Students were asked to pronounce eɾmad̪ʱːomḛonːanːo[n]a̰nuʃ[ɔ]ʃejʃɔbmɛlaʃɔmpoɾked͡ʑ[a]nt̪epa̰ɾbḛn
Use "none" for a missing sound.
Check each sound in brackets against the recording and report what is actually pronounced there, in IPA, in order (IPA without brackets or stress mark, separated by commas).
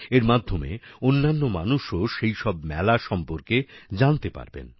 m, o, a